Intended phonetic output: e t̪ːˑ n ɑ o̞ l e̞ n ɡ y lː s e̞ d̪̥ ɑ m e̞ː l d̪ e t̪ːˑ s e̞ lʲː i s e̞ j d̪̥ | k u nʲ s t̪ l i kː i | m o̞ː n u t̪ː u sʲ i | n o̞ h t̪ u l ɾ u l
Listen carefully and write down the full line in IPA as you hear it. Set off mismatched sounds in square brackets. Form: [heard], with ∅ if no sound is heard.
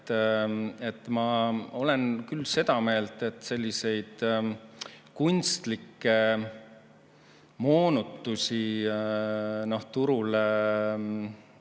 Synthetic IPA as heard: e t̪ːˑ [m] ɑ o̞ l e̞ n [k] y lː s e̞ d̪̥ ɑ m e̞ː l [t̪] e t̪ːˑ s e̞ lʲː i s e̞ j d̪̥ | k u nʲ s t̪ l i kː [e] | m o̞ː n u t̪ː u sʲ i | n o̞ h t̪ u [∅] ɾ u l